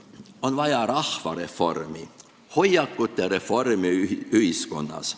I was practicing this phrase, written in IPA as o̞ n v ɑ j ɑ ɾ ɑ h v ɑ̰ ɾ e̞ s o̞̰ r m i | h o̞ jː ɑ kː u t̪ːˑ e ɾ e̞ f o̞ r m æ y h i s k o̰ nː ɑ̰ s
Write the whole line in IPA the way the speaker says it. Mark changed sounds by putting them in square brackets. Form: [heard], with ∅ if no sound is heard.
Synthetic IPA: o̞ n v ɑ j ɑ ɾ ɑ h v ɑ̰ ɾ e̞ [f] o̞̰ r m i | h o̞ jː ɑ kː u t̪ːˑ e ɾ e̞ f o̞ r m [i] y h i s k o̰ nː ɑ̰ s